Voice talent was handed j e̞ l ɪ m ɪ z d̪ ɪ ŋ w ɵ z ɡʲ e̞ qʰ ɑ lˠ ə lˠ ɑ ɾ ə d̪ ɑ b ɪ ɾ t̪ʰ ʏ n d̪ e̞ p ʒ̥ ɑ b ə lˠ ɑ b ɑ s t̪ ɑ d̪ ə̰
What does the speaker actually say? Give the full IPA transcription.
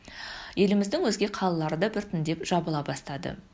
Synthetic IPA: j e̞ l ɪ m ɪ z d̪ ɪ ŋ w ɵ z ɡʲ e̞ qʰ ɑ lˠ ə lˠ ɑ ɾ ə d̪ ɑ b ɪ ɾ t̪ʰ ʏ n d̪ e̞ p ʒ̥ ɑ b ə lˠ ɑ b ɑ s t̪ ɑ d̪ ə̰